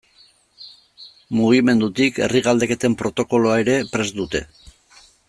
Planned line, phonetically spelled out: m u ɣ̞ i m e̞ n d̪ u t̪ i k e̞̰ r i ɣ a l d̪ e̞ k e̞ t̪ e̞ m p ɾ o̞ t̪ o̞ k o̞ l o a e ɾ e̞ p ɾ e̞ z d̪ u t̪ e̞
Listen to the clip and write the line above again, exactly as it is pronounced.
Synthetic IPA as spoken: m u ɣ̞ i m e̞ n d̪ u t̪ i k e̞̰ r i ɣ a l d̪ e̞ k e̞ t̪ e̞ m p ɾ o̞ t̪ o̞ k o̞ l o a e ɾ e̞ p ɾ e̞ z d̪ u t̪ e̞